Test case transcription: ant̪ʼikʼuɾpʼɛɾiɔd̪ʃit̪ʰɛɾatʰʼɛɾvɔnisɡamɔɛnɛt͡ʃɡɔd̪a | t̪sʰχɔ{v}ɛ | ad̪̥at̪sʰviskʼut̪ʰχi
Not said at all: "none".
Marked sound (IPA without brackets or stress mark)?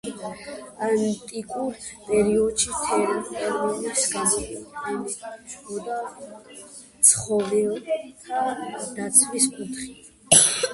v